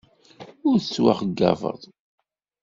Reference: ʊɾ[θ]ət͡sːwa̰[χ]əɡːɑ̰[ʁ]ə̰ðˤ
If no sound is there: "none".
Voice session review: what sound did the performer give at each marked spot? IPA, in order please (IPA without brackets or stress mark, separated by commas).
θ, χ, v